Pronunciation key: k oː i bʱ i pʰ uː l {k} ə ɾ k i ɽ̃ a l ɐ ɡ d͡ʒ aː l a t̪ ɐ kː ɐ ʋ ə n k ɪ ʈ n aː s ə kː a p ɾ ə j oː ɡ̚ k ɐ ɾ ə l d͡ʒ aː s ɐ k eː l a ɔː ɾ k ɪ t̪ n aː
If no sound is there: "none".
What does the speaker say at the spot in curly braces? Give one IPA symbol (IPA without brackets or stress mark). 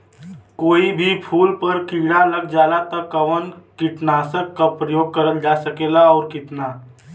p